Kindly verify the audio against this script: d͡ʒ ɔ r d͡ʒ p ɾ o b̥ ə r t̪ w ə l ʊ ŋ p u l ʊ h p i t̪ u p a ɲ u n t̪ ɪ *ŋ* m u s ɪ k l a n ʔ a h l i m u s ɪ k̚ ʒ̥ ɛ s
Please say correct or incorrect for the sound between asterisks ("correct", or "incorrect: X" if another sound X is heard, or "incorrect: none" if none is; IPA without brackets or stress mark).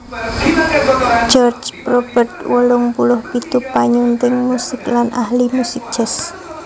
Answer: correct